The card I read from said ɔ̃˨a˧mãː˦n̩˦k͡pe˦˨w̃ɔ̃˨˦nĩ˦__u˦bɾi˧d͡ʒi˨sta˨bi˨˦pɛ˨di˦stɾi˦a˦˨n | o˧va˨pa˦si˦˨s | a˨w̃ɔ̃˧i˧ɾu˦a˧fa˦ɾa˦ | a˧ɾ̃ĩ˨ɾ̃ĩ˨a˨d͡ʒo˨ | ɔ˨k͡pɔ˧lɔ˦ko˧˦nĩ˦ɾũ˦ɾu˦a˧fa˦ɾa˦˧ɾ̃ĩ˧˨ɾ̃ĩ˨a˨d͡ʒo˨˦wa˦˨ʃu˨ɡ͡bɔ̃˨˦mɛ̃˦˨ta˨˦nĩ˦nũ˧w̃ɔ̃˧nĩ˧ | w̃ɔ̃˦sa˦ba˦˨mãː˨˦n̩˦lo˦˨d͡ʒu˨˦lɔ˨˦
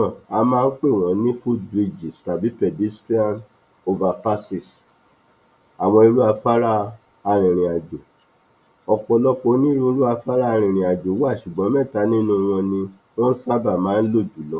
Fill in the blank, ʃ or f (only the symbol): f